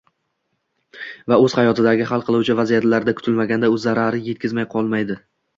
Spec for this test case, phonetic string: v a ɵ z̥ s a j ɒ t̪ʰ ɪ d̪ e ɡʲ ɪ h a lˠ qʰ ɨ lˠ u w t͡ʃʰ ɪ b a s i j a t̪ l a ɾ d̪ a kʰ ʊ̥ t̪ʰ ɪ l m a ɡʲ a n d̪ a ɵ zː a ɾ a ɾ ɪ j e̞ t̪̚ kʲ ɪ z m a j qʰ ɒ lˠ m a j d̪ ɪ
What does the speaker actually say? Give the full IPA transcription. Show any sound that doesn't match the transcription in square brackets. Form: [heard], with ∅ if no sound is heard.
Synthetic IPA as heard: v a ɵ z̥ [h] a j ɒ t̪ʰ ɪ d̪ [a] ɡʲ ɪ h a lˠ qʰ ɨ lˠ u w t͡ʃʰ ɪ [v] a [z] i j a t̪ l a ɾ d̪ a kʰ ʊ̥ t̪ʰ ɪ l m a ɡʲ a n d̪ a ɵ zː a ɾ a ɾ ɪ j e̞ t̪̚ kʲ ɪ z m a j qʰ ɒ lˠ m a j d̪ ɪ